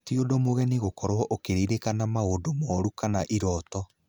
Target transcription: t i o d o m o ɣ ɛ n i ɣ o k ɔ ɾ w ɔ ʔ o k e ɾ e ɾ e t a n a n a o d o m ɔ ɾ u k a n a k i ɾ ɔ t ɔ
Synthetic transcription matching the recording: t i o d o m o ɣ ɛ n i ɣ o k ɔ ɾ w ɔ ʔ o k e ɾ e ɾ e k a n a m a o d o m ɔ ɾ u k a n a ʔ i ɾ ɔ t ɔ